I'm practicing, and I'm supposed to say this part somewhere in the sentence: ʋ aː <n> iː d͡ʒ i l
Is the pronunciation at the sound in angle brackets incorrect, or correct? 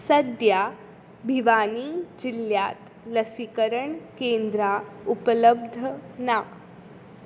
correct